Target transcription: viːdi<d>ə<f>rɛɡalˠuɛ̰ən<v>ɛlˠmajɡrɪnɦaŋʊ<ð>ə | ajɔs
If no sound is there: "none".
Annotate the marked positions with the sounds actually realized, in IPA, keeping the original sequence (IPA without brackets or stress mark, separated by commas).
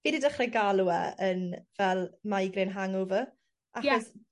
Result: d, χ, v, v